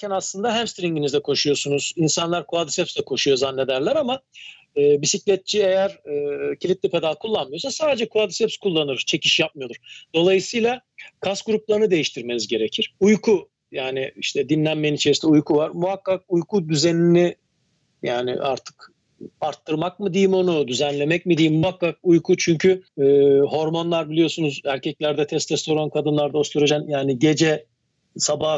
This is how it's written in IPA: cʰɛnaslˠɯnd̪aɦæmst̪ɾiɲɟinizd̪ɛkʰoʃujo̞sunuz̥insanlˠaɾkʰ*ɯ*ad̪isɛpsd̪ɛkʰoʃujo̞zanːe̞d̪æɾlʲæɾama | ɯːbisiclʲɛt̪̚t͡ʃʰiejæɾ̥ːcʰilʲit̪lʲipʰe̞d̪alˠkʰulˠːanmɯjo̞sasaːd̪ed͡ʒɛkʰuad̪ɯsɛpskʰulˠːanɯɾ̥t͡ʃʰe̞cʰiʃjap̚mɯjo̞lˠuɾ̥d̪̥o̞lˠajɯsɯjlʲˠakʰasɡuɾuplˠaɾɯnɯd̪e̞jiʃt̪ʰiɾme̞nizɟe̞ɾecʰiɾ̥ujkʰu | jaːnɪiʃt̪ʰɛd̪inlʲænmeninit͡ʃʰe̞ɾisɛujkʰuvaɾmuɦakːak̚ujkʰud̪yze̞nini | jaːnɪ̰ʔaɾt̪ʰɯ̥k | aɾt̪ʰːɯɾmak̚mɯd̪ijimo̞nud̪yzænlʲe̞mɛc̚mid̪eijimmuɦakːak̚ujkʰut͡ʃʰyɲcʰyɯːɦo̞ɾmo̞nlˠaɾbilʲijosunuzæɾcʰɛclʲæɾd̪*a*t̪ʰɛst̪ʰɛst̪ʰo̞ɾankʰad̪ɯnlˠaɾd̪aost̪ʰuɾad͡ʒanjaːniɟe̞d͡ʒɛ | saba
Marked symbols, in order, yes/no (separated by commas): no, no